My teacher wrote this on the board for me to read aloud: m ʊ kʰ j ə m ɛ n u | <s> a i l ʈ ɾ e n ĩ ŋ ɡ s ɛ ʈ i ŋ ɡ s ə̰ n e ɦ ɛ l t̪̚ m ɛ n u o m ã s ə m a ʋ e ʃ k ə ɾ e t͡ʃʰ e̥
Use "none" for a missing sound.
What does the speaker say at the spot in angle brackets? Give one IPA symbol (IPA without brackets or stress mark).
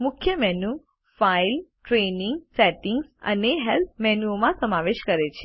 f